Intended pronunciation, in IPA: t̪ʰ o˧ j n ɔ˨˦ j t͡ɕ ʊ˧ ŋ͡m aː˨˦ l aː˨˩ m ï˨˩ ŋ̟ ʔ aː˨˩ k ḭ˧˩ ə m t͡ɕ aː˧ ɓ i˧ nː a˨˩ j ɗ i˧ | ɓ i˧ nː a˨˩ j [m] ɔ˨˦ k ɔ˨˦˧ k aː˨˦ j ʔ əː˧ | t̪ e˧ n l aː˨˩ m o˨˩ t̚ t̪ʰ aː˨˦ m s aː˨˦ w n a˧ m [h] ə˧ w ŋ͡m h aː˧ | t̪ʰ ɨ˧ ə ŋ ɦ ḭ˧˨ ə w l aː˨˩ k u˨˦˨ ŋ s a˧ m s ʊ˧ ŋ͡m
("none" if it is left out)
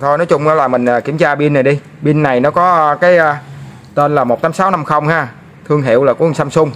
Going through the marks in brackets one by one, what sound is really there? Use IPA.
n, x

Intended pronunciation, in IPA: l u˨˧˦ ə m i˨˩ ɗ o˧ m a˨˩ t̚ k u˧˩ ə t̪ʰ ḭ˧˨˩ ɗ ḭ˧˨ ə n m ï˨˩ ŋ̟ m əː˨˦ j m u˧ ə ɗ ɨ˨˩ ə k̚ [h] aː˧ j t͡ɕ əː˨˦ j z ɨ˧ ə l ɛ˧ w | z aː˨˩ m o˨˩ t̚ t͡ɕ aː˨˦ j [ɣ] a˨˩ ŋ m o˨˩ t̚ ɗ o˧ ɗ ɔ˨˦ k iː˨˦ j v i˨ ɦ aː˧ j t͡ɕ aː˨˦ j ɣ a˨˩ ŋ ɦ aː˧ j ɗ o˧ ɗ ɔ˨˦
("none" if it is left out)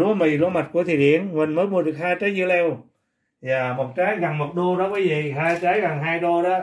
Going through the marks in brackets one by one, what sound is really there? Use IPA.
h, ɣ

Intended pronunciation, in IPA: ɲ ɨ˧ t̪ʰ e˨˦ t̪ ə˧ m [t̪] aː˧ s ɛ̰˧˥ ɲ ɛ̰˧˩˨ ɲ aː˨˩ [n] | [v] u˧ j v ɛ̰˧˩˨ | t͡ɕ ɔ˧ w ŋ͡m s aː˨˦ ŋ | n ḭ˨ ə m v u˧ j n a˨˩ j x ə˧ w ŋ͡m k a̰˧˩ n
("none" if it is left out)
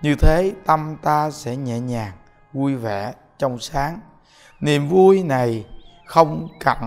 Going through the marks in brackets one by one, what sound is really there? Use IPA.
t̪, ŋ, v

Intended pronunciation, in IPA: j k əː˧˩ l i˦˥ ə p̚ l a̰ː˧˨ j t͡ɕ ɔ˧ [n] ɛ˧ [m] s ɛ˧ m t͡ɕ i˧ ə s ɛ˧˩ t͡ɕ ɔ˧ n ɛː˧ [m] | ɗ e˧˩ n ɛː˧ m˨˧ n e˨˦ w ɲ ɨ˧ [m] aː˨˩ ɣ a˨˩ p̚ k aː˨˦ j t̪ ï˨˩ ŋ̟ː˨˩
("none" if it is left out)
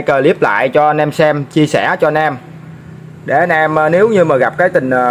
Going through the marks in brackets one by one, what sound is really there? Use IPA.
n, m, m, m

